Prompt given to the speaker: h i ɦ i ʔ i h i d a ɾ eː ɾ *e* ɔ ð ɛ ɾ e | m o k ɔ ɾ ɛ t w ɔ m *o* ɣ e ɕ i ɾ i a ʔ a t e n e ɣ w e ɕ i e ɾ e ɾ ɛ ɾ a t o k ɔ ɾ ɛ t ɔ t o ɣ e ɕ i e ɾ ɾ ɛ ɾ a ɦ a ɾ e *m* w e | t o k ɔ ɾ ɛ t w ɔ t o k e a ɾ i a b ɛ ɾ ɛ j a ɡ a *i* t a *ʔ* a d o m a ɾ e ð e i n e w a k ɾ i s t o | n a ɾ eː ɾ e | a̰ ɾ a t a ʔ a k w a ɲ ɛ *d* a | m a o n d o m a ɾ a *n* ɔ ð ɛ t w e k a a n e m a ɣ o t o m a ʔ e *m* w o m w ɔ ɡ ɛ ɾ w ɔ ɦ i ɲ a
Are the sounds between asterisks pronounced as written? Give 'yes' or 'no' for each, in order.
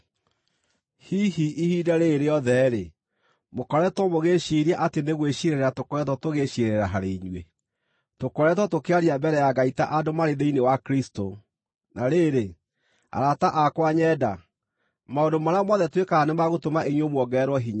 yes, yes, no, yes, yes, yes, no, no

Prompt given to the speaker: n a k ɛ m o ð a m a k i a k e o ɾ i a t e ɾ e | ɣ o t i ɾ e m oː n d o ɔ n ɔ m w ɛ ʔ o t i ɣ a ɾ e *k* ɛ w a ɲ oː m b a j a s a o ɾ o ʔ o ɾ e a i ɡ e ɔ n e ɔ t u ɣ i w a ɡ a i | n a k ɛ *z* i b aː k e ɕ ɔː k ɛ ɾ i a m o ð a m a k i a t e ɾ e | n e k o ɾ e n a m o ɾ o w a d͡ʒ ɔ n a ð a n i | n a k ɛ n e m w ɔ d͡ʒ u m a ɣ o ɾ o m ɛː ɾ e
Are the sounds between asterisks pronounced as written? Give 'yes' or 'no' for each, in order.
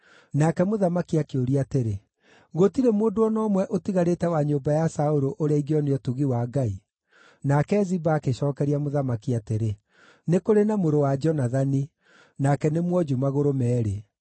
no, yes

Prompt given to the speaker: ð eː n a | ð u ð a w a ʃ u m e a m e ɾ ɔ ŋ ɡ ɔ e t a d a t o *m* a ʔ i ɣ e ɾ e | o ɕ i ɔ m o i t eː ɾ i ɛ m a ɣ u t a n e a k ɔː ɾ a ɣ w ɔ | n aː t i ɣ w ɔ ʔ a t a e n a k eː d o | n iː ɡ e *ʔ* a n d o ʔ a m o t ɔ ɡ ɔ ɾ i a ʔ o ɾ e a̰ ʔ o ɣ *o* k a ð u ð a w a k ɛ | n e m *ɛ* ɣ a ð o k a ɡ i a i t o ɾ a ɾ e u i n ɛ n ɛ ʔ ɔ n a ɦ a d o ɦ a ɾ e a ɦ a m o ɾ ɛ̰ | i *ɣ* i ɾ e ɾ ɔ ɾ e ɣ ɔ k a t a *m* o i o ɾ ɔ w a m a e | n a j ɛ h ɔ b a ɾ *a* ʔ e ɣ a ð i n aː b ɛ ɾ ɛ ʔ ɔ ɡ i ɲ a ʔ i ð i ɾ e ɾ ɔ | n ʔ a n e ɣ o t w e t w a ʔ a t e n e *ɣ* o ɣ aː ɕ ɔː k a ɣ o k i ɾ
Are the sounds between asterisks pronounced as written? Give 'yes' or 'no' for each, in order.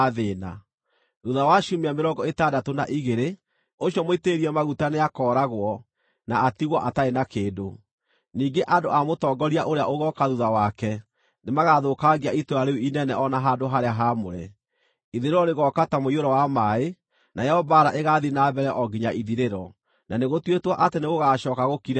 no, yes, no, no, no, yes, yes, yes

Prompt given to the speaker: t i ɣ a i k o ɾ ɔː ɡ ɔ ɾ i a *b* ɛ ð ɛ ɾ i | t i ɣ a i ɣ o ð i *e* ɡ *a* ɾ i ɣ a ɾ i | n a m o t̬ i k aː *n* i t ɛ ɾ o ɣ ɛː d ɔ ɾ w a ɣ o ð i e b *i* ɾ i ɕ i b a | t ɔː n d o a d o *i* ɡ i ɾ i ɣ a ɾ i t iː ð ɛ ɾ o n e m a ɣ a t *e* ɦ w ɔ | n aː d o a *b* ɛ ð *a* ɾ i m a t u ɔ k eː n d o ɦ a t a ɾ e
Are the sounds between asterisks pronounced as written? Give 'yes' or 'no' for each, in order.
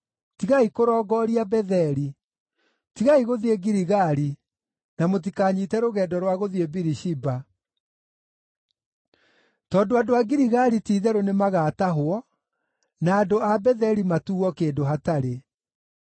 yes, yes, no, no, yes, no, no, yes, no

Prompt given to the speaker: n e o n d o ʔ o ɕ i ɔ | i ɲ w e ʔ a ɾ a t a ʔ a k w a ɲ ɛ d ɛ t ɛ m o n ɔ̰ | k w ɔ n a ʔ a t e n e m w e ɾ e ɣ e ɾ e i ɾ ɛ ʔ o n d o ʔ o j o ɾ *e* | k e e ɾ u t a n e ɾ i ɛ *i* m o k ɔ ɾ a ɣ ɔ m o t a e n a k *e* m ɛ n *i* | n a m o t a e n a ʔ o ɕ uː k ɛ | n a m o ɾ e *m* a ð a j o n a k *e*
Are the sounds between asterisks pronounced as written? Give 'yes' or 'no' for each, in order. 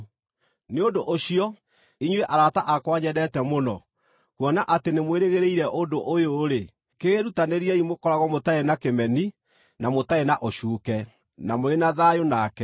yes, yes, yes, yes, no, no

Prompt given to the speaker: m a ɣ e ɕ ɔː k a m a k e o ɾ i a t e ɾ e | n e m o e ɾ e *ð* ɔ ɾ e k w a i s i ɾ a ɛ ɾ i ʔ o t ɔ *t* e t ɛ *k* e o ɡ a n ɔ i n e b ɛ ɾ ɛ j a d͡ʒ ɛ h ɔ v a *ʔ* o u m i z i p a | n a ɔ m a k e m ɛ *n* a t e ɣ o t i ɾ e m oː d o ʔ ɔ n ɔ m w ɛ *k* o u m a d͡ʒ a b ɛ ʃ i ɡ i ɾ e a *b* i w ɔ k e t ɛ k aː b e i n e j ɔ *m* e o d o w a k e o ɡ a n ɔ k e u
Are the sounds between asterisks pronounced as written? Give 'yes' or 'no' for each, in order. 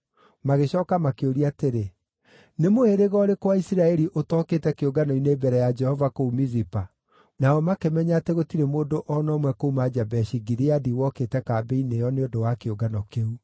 no, no, yes, no, no, yes, no, no

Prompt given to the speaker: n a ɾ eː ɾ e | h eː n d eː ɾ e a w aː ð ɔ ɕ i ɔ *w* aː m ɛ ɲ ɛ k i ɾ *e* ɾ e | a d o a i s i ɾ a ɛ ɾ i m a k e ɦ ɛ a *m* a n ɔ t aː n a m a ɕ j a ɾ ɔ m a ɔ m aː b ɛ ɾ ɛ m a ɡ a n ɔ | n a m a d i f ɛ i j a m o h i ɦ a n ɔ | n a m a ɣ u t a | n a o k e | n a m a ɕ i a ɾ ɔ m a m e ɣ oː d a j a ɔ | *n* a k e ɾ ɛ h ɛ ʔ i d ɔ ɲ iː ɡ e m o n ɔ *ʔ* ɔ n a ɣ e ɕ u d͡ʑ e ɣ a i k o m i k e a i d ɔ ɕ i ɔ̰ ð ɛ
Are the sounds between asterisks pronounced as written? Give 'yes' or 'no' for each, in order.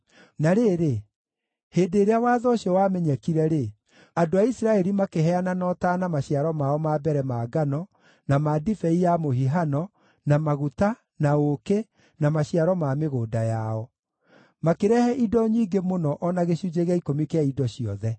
yes, no, no, no, yes

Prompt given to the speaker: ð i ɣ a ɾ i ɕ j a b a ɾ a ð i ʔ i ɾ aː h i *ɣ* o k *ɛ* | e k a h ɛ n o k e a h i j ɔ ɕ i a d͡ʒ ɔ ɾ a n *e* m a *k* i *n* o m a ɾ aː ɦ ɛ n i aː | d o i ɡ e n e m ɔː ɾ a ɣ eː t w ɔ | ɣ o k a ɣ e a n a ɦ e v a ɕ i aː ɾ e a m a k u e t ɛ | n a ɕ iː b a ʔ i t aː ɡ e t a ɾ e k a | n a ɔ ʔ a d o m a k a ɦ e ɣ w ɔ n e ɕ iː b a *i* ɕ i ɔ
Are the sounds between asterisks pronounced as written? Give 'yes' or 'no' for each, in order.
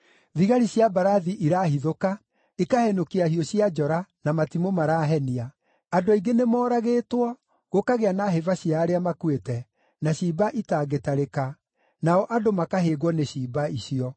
no, no, no, no, no, yes

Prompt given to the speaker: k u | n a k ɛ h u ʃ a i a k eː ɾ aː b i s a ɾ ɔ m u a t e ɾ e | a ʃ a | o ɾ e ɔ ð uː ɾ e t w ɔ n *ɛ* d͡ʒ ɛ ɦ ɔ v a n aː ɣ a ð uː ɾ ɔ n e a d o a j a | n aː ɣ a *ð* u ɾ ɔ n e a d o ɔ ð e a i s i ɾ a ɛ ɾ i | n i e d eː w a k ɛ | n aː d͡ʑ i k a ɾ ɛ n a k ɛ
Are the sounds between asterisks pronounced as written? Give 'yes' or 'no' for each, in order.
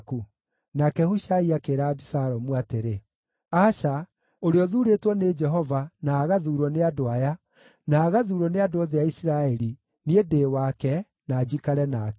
no, yes

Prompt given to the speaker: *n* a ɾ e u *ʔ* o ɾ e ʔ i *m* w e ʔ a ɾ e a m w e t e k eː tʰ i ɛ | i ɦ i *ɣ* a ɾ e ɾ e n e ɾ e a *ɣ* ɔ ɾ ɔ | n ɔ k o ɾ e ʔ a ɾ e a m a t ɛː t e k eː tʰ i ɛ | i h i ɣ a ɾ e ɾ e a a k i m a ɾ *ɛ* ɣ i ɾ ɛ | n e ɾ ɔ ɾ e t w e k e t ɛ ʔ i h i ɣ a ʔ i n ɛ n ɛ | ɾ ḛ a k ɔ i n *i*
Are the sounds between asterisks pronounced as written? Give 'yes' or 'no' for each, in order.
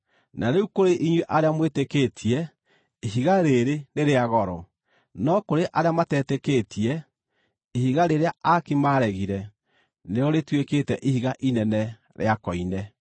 yes, no, no, yes, yes, yes, no

